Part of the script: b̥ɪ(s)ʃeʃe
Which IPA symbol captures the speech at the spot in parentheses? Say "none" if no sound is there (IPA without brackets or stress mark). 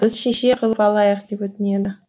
z